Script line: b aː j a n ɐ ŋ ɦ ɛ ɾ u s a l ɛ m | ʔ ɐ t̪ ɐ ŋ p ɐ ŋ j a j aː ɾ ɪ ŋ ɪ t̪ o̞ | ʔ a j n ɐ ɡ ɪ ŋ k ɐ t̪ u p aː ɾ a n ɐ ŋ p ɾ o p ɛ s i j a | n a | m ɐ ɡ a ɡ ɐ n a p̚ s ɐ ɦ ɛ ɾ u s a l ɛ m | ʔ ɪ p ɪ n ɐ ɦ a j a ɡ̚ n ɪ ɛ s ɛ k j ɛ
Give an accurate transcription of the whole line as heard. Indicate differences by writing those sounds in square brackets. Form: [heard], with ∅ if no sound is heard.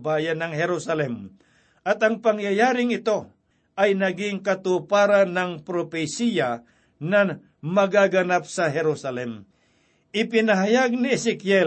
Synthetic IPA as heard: b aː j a n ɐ ŋ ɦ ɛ ɾ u s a l ɛ m | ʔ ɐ t̪ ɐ ŋ p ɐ ŋ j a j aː ɾ ɪ ŋ ɪ t̪ o̞ | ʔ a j n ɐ ɡ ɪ ŋ k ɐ t̪ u p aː ɾ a n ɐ ŋ p ɾ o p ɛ s i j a | n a | m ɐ ɡ a ɡ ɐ n a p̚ s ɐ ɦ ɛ ɾ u s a l ɛ m | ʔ ɪ p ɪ n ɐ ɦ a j a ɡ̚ n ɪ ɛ s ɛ k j ɛ